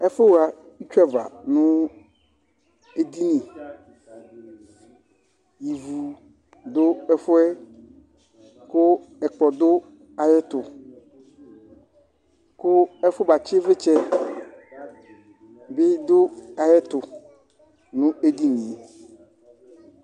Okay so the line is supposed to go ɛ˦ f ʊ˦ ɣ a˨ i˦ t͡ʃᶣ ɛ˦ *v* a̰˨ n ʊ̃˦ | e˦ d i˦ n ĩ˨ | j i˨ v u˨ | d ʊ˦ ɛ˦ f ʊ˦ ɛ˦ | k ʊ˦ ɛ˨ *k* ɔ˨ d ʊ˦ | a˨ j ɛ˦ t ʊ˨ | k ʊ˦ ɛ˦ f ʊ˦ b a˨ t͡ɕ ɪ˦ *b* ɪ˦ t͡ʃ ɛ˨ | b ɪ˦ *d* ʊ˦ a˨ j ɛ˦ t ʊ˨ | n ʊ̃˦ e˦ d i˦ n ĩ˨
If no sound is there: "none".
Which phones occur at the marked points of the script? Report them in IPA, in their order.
v, k͡p, v, d

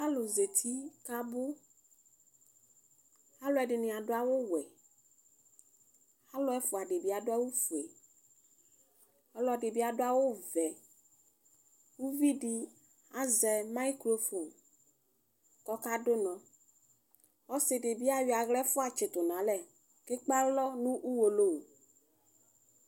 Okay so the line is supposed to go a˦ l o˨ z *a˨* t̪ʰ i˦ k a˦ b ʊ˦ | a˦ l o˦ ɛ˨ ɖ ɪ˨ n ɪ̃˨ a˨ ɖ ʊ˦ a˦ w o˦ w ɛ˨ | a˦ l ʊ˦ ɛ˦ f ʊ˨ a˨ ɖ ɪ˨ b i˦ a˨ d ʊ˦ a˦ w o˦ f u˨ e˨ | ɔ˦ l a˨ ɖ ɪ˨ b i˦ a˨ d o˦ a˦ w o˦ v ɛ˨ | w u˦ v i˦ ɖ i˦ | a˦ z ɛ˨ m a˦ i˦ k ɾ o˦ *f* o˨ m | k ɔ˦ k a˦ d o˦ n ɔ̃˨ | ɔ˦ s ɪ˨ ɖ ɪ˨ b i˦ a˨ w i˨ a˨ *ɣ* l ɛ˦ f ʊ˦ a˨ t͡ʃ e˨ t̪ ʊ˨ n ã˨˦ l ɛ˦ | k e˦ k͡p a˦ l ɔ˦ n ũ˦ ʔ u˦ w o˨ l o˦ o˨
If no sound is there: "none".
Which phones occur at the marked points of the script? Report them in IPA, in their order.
e˨, f, ɣ

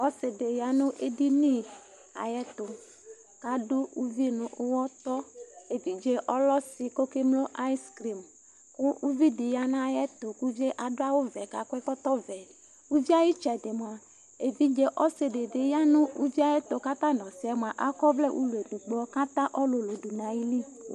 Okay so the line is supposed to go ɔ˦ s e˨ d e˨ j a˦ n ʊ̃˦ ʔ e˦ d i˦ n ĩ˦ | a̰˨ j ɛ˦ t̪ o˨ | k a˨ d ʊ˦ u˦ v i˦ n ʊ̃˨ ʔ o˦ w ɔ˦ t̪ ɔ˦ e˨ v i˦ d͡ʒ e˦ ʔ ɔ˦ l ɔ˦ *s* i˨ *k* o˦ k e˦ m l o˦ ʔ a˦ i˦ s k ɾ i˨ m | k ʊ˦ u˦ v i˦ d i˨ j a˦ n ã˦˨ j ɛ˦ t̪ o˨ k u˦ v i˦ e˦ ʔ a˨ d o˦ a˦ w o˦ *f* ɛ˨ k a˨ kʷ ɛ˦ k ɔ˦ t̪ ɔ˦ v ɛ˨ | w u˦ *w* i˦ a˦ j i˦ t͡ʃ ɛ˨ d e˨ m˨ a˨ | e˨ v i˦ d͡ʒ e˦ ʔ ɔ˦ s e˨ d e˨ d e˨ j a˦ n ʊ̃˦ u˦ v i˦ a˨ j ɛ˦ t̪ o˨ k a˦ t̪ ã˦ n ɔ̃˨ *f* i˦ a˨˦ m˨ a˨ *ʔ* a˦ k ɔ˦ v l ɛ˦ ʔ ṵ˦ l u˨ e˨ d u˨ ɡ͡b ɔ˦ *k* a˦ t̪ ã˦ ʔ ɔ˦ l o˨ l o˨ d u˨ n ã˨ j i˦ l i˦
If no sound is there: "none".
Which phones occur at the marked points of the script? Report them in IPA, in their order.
s, k, v, v, s, ʔ, k

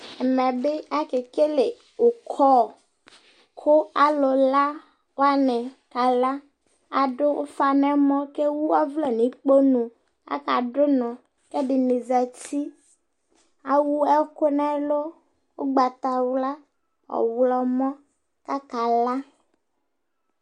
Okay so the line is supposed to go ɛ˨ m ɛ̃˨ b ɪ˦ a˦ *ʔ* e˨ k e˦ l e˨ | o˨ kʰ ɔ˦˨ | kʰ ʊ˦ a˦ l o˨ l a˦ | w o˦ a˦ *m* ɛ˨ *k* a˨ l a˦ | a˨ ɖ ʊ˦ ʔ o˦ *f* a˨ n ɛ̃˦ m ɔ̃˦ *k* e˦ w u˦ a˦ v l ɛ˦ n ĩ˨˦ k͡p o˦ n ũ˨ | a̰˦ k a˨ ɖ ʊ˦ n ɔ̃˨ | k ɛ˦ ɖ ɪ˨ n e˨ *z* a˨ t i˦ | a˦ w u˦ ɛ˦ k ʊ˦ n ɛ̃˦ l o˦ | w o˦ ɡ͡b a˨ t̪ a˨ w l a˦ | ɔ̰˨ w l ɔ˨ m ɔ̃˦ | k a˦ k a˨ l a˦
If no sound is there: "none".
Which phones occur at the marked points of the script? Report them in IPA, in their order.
k, n, k, f, k, z

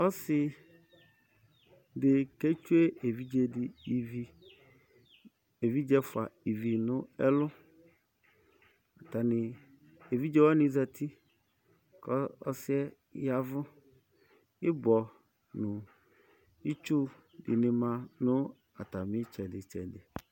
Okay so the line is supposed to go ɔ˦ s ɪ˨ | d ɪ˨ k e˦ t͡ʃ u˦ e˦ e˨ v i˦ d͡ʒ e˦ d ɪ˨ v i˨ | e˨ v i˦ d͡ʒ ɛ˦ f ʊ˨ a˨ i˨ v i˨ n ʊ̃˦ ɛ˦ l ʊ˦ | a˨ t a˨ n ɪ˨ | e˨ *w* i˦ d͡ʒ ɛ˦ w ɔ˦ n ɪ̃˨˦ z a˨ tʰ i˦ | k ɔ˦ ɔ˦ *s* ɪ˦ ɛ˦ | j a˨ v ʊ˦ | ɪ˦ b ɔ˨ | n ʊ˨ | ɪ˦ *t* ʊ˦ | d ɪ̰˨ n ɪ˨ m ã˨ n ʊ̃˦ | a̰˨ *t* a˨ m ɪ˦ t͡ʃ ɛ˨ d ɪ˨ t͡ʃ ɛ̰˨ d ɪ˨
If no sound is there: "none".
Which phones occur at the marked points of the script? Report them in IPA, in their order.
v, s, t͡ʃ, t

